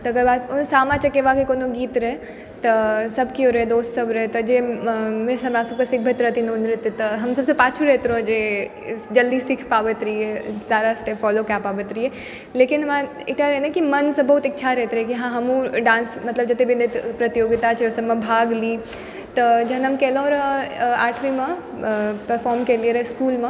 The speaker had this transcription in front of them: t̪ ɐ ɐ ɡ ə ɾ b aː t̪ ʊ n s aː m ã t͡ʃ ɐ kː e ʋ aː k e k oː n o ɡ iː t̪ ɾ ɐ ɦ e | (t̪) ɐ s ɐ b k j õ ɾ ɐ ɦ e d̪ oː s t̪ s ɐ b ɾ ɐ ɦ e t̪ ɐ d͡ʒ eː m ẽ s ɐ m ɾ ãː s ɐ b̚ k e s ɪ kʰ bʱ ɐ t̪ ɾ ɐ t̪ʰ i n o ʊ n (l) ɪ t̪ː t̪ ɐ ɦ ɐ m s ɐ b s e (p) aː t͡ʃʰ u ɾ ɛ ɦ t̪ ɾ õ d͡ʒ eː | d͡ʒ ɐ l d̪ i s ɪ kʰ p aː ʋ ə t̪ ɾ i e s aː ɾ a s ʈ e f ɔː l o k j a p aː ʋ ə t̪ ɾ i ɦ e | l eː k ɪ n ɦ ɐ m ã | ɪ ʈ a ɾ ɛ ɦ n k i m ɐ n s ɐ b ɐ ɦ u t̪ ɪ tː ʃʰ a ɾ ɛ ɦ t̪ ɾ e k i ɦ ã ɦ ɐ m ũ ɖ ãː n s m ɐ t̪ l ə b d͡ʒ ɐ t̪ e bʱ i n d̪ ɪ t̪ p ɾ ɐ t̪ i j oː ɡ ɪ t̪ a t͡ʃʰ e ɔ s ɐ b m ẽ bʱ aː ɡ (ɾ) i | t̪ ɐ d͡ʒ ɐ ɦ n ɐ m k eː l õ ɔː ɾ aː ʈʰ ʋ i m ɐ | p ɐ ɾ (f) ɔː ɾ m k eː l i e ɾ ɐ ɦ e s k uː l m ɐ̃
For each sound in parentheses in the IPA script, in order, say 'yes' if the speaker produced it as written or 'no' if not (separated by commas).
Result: yes, no, yes, no, yes